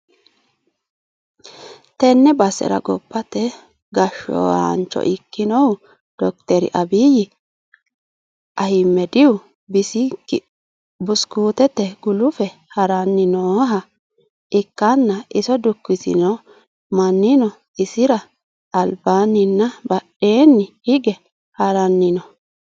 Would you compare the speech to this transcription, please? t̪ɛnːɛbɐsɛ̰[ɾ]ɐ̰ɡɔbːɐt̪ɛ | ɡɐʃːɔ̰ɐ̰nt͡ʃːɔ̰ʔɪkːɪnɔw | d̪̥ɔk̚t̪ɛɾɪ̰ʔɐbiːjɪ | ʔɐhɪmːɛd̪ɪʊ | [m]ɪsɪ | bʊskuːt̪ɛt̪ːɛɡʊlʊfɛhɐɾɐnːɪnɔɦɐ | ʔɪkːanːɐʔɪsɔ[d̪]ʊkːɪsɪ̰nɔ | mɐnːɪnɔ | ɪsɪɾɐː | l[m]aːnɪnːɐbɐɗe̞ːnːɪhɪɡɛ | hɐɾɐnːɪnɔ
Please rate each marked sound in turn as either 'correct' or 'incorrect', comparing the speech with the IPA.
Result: correct, incorrect, correct, incorrect

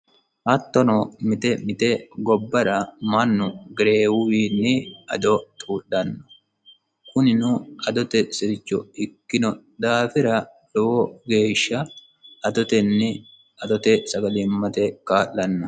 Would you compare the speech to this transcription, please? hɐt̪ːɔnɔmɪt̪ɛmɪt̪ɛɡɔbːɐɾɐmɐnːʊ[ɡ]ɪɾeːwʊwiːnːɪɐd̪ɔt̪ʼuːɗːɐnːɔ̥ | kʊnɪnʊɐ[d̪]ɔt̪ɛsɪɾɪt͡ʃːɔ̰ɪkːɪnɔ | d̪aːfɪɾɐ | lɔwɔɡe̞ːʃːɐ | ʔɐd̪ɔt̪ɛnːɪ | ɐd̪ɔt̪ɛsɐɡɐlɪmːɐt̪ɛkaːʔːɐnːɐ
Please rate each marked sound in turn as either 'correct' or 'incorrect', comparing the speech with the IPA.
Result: correct, correct

